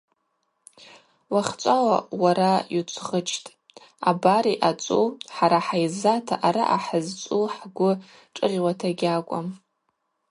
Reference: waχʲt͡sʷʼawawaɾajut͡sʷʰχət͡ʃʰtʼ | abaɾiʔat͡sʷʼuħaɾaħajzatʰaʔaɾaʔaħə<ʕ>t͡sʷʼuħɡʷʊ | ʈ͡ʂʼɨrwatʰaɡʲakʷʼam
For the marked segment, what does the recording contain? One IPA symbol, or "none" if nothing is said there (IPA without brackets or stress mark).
z